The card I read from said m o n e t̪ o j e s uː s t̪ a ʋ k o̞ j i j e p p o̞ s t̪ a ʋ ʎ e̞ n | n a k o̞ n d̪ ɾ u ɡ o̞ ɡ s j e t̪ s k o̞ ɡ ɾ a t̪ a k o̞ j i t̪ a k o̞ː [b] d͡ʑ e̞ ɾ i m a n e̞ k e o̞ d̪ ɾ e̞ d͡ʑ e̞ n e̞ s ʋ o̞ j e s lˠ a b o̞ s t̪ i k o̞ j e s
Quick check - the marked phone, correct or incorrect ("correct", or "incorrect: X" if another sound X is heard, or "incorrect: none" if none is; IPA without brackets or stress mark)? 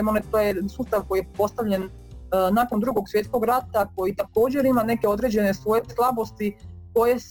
incorrect: none